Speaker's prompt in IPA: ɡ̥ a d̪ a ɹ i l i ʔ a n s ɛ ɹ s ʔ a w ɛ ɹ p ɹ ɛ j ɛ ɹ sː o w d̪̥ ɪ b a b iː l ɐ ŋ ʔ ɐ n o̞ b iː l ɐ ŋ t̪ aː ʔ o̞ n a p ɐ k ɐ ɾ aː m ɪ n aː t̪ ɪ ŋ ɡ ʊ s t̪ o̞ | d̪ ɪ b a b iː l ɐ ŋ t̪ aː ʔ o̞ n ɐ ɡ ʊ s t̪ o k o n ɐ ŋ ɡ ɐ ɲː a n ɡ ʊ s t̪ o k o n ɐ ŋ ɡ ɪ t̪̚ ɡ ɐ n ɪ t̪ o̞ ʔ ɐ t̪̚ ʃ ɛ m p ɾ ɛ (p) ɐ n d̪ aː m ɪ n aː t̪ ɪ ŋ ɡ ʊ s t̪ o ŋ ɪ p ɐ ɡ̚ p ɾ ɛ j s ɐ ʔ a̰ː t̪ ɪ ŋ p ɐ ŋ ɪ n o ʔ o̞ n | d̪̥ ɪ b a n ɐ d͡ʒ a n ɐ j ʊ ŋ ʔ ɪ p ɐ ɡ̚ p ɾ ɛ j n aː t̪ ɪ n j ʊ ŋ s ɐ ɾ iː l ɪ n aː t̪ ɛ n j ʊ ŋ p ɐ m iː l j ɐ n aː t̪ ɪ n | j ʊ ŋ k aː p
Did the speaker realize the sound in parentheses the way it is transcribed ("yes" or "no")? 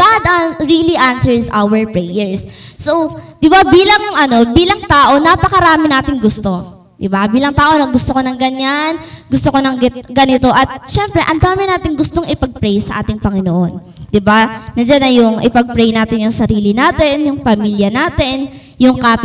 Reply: no